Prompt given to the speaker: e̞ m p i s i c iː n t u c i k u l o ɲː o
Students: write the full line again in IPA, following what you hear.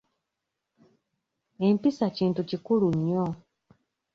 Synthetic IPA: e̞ m p i s a c iː n t u c i k u l u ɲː o